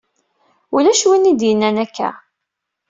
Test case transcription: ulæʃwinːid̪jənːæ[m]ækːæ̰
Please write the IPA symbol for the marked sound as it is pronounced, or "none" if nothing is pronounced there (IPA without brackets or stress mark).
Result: n